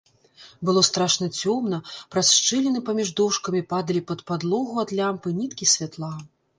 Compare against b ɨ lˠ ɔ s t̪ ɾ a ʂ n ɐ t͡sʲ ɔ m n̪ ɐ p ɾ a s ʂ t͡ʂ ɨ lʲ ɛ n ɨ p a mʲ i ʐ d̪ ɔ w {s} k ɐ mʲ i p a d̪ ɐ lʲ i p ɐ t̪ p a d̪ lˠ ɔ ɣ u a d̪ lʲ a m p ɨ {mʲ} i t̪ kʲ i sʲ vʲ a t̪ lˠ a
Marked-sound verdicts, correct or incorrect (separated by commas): incorrect, incorrect